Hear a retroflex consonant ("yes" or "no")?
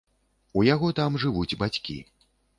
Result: yes